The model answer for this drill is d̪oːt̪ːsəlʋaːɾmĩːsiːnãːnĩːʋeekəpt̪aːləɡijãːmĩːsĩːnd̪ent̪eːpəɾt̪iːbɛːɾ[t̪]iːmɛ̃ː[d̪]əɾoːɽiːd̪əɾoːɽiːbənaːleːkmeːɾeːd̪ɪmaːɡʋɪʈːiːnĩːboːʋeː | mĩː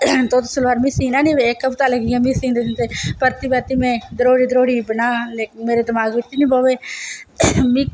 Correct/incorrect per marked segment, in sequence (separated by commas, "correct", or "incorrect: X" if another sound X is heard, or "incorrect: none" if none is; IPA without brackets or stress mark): correct, correct